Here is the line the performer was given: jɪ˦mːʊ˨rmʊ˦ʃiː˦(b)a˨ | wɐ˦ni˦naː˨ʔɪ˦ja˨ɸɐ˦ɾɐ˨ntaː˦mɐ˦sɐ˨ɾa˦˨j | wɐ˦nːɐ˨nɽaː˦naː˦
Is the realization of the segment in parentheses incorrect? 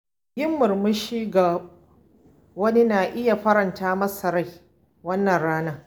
yes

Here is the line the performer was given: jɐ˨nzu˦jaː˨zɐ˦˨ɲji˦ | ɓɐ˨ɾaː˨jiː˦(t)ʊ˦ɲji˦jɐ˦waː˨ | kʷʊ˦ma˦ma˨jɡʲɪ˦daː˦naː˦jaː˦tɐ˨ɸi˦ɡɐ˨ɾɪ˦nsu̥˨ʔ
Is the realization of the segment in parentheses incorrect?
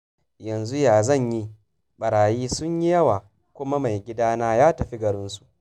yes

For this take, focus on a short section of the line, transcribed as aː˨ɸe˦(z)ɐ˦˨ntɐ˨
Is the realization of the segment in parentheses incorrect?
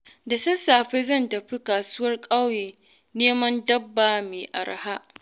no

